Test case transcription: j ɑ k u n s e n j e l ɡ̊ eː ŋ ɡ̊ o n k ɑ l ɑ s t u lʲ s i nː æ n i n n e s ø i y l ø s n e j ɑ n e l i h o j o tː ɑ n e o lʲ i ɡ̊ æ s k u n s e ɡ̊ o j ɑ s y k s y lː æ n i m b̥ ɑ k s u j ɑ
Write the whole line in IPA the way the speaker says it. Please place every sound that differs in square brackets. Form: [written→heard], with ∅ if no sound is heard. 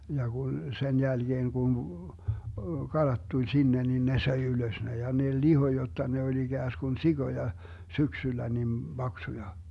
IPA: j ɑ k u n s e n j [e→æ] l ɡ̊ eː ŋ ɡ̊ [o→u] n k ɑ l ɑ [s→t] t u lʲ s i nː [æ→e] n i n n e s ø i y l ø s n e j ɑ n e l i h o j o tː ɑ n e o lʲ i ɡ̊ [æ→æː] s k u n s [e→i] ɡ̊ o j ɑ s y k s y lː æ n i m b̥ ɑ k s u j ɑ